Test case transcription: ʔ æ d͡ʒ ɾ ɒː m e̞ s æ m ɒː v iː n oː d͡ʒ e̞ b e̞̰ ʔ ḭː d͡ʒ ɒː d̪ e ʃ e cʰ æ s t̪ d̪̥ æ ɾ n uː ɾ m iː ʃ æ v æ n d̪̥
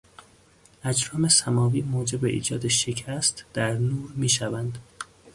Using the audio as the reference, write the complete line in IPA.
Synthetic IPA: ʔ æ d͡ʒ ɾ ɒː m e̞ s æ m ɒː v iː m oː d͡ʒ e̞ b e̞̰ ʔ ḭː d͡ʒ ɒː d̪ e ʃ e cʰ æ s t̪ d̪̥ æ ɾ n uː ɾ m iː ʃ æ v æ n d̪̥